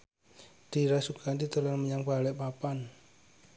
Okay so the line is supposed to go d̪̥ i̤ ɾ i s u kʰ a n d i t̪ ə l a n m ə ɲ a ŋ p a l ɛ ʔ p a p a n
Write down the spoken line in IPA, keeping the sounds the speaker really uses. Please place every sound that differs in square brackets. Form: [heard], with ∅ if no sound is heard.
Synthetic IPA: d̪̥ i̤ ɾ [a] s u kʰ a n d i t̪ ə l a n m ə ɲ a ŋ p a l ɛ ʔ p a p a n